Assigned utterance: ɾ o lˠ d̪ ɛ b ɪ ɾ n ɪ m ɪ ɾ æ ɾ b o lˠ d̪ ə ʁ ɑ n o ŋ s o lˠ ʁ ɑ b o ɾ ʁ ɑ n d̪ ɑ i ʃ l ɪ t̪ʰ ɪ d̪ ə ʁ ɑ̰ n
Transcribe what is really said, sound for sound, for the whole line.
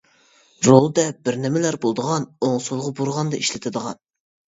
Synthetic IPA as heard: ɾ o lˠ d̪ ɛ b ɪ ɾ n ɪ m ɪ l æ ɾ b o lˠ d̪ ə ʁ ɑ n o ŋ s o lˠ ʁ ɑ b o ɾ ʁ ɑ n d̪ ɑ i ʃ l ɪ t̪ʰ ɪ d̪ ə ʁ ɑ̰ n